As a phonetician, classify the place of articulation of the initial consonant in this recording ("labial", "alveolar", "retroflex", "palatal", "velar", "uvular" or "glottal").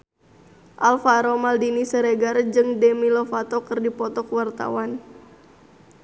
glottal